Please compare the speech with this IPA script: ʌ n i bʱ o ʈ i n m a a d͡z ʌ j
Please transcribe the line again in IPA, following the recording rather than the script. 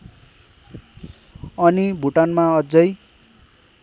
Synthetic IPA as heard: ʌ n i bʱ u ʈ a n m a ʌ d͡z ʌ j